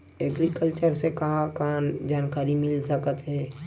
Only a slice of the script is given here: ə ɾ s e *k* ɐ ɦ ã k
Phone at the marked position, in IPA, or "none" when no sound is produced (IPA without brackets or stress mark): k